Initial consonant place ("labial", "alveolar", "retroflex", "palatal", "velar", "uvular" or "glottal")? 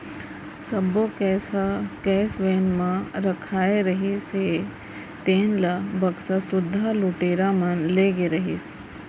alveolar